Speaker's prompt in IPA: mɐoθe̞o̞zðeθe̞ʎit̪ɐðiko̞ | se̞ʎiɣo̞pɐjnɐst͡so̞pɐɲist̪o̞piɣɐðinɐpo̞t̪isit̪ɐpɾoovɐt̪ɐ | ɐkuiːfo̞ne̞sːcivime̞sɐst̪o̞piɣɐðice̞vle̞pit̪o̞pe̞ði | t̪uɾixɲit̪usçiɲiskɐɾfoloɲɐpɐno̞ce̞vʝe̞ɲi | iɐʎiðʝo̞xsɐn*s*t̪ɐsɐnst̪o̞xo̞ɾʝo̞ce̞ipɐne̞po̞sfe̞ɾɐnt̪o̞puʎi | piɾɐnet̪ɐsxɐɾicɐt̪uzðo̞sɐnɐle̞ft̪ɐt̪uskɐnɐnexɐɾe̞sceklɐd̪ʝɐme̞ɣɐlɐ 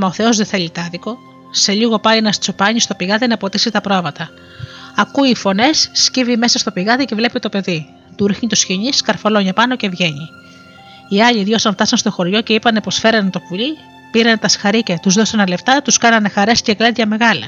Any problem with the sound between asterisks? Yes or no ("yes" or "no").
yes